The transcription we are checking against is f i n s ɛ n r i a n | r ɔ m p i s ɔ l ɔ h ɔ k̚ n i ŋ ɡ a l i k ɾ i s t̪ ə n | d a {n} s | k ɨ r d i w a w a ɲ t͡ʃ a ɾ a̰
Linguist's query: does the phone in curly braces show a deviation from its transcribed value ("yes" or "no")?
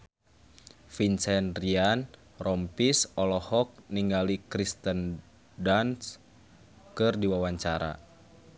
no